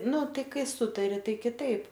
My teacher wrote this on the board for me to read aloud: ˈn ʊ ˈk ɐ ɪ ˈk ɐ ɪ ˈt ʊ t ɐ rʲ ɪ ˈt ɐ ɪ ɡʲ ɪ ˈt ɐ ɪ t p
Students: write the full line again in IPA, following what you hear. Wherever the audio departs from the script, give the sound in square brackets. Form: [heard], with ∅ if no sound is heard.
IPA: ˈn ʊ [ˈt] ɐ ɪ ˈk ɐ ɪ [ˈs] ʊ t ɐ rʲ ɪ ˈt ɐ ɪ [kʲ] ɪ ˈt ɐ ɪ [∅] p